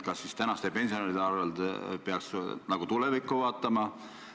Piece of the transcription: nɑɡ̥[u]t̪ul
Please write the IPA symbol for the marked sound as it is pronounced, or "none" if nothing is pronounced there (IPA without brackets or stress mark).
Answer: u